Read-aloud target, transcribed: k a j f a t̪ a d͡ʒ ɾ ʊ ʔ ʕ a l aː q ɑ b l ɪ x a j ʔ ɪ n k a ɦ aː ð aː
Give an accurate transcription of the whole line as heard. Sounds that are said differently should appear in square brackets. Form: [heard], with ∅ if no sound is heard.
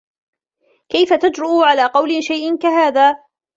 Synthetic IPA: k a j f a t̪ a d͡ʒ ɾ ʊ ʔ ʕ a l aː q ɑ [w] l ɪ [ʃ] a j ʔ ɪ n k a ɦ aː ð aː